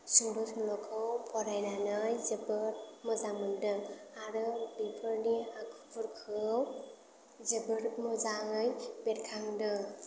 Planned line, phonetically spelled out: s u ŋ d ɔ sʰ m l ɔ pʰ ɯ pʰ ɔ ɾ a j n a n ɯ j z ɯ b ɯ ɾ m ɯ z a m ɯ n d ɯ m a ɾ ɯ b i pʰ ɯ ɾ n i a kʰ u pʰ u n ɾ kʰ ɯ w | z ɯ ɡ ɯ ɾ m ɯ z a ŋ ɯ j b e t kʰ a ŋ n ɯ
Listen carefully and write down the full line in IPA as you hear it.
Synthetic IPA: s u ŋ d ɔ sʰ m l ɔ kʰ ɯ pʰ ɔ ɾ a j n a n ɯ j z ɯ b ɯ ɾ m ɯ z a m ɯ n d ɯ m a ɾ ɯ b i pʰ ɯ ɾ n i a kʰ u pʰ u ɾ kʰ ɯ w | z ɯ b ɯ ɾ m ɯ z a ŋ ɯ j b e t kʰ a ŋ d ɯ